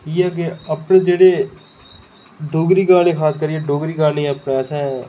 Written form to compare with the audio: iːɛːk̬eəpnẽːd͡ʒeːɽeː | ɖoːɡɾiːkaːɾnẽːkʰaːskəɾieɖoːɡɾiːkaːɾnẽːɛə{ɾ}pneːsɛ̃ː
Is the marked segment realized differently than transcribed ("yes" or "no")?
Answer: yes